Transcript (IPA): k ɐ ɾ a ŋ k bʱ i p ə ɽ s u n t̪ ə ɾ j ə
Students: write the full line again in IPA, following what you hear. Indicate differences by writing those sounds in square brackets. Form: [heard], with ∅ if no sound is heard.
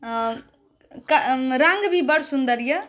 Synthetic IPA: k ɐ ɾ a ŋ [ɡ] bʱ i [b] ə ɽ s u n [d̪] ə ɾ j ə